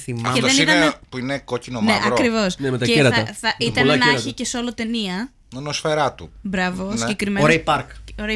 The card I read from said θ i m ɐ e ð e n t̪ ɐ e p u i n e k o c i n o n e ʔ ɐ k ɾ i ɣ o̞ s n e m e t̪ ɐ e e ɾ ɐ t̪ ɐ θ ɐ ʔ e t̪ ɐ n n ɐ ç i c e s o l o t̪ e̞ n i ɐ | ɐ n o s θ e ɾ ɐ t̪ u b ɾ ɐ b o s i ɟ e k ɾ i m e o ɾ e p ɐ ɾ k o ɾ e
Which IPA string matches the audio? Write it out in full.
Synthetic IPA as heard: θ i m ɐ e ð e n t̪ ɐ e p u i n e k o c i n o n e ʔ ɐ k ɾ i v o̞ s n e m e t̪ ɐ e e ɾ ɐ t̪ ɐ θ ɐ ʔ i t̪ ɐ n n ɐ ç i c e s o l o t̪ e̞ n i ɐ | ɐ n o s f e ɾ ɐ t̪ u b ɾ ɐ v o s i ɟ e k ɾ i m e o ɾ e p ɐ ɾ k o ɾ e